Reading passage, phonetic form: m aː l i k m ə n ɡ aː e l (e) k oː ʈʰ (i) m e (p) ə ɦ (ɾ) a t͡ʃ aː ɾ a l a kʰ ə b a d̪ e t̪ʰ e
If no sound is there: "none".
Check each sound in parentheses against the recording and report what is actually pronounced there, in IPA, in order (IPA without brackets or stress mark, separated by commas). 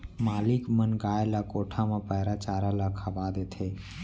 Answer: a, a, p, ɾ